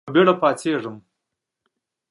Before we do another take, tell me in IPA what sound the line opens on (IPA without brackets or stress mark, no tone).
b